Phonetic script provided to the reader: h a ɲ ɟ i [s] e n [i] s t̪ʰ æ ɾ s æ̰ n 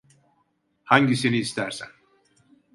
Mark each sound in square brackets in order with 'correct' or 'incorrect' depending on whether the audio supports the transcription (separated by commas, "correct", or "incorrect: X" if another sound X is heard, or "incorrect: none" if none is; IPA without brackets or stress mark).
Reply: correct, incorrect: iː